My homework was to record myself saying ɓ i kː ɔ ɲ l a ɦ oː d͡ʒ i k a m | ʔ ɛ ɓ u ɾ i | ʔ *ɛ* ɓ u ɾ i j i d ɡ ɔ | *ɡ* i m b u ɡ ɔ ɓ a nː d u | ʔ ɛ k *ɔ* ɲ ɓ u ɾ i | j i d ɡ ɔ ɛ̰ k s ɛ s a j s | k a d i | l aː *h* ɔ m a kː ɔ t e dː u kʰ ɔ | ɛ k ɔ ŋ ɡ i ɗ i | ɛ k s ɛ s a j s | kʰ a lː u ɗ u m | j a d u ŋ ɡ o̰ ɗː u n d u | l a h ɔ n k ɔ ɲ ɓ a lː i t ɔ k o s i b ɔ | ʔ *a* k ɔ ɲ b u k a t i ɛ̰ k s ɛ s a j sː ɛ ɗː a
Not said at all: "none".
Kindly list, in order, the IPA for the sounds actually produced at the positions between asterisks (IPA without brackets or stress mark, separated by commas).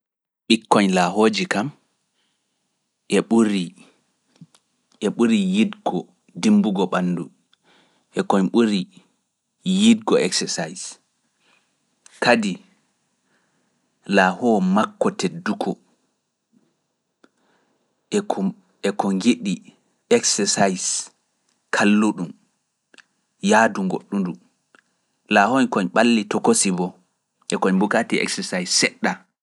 ɛ, d, ɔ, h, ɛ